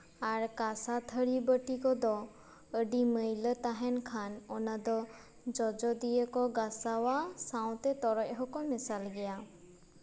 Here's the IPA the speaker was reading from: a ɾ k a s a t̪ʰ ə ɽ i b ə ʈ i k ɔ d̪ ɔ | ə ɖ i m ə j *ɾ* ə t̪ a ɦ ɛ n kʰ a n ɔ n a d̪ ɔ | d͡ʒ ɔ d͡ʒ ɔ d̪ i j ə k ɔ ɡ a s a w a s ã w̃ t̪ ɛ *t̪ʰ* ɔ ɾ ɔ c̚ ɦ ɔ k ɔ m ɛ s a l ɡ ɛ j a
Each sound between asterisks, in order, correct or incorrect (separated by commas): incorrect, incorrect